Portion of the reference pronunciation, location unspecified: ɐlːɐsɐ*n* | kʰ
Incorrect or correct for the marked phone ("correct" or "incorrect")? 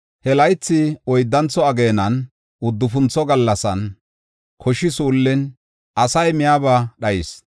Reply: correct